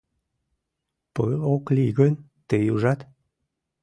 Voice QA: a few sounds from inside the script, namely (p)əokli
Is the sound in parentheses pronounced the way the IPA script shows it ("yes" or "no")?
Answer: yes